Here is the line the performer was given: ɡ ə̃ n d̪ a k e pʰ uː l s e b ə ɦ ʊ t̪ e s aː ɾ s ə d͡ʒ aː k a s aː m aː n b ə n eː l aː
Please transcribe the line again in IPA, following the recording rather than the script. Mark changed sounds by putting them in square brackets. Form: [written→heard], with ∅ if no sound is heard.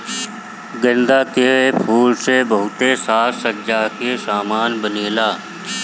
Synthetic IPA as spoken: ɡ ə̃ n d̪ a k e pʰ uː l s e b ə ɦ ʊ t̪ e s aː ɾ s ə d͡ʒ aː k [a→e] s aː m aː n b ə n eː l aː